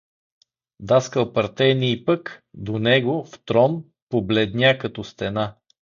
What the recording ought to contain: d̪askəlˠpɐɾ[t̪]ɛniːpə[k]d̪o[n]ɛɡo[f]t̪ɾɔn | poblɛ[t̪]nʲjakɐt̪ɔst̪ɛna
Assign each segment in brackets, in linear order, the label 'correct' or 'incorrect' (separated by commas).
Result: correct, correct, correct, correct, incorrect